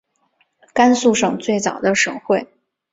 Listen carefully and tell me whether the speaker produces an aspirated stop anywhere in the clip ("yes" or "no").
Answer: no